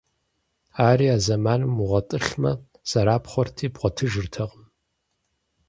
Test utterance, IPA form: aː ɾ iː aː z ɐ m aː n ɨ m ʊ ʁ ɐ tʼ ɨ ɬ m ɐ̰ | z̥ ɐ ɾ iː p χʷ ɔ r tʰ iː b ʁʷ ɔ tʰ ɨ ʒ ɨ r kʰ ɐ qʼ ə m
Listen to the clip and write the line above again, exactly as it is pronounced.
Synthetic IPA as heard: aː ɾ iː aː z ɐ m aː n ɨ m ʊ ʁ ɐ tʼ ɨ ɬ m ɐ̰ | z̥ ɐ ɾ aː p χʷ ɔ r tʰ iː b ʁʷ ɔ tʰ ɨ ʒ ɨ r tʰ ɐ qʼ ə m